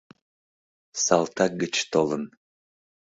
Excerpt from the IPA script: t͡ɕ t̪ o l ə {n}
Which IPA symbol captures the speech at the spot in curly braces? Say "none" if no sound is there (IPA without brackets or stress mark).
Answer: n